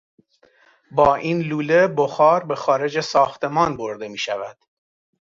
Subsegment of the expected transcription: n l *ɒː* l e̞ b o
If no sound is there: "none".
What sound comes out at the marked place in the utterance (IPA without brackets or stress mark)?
uː